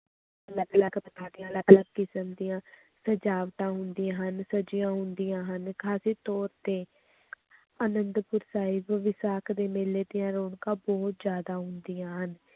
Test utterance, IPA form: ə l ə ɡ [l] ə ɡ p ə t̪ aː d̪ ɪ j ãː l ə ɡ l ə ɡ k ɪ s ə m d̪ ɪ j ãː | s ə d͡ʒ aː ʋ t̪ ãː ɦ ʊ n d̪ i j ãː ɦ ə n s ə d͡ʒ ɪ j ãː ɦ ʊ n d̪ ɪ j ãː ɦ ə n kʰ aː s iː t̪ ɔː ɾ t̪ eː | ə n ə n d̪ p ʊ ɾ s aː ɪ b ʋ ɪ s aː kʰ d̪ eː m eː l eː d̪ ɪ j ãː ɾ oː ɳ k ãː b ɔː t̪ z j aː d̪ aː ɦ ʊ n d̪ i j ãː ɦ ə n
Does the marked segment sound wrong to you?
no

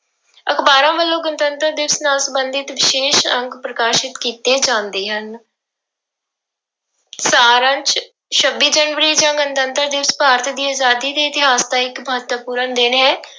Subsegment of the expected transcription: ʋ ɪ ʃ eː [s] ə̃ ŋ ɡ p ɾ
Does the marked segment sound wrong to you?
yes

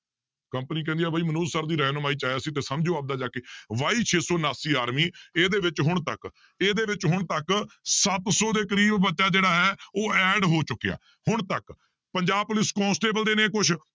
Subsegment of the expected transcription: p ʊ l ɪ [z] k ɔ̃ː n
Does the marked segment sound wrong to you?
yes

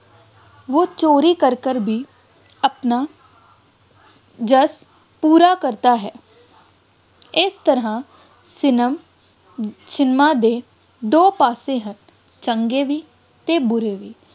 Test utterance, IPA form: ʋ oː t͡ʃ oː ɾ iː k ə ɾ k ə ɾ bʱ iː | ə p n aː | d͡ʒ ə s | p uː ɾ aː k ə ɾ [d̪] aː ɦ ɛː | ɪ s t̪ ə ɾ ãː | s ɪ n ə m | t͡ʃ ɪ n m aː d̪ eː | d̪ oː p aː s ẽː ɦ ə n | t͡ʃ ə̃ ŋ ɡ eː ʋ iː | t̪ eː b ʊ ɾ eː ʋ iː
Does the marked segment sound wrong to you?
yes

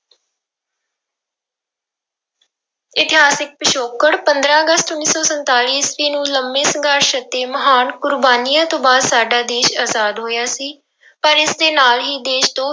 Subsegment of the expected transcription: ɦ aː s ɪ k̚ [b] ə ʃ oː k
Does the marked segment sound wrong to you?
yes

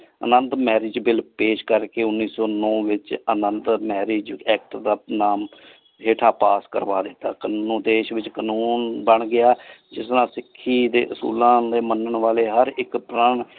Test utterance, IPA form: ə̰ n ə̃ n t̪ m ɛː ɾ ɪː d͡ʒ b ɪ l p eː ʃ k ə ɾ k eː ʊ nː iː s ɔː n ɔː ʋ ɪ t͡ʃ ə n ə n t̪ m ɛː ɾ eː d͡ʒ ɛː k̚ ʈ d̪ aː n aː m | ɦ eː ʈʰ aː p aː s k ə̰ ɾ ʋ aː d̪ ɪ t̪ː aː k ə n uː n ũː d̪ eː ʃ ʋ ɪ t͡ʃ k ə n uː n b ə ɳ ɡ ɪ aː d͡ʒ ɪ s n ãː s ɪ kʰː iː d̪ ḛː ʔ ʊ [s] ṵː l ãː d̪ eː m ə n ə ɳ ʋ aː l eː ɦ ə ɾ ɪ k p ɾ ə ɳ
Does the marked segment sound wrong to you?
no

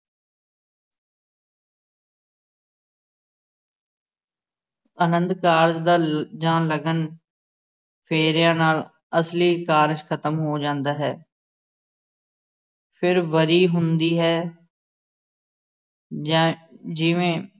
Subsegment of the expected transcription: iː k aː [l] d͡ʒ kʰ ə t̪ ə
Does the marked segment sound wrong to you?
yes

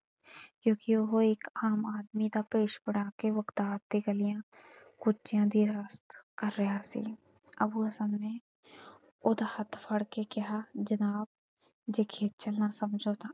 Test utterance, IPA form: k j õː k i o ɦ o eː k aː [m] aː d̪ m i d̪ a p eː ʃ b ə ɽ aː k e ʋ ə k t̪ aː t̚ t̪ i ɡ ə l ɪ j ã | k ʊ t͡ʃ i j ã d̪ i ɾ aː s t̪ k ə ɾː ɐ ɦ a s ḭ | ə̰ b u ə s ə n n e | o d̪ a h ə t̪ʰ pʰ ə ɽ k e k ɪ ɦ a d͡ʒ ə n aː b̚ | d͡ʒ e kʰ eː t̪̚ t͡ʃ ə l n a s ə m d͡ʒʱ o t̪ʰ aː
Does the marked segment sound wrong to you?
no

